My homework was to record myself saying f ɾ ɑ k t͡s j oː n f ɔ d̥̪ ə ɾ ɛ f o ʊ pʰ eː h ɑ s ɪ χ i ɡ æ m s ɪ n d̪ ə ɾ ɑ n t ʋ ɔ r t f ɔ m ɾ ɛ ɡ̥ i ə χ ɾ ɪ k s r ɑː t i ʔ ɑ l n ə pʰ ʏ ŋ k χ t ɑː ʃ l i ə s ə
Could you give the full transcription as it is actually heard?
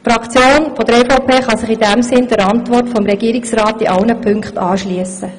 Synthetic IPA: f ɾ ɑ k t͡s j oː n f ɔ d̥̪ ə ɾ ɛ f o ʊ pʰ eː χ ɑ s ɪ χ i d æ m s ɪ n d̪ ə ɾ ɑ n t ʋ ɔ r t f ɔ m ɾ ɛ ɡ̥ i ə ɾ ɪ k s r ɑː t i ʔ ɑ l n ə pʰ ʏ ŋ k χ t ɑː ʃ l i ə s ə